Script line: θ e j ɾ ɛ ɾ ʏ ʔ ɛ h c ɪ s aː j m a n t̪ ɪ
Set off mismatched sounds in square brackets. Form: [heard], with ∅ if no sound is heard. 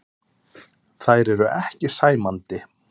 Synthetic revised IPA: θ [a] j ɾ ɛ ɾ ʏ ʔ ɛ h c ɪ s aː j m a n t̪ ɪ